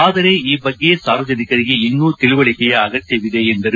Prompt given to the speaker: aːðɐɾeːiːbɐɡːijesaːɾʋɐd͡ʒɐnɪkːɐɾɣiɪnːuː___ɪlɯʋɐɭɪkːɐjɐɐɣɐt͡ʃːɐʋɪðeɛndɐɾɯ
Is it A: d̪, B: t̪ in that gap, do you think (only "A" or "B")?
B